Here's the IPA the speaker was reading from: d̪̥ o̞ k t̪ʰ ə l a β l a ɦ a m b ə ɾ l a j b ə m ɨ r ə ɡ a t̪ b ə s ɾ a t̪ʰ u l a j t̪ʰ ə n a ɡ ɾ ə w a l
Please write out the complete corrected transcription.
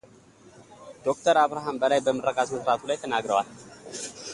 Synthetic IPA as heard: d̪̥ o̞ k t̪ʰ ə ɾ a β ɾ a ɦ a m b ə l a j b ə m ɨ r ə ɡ a t̪ m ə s ɾ a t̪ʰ u l a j t̪ʰ ə n a ɡ ɾ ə w a l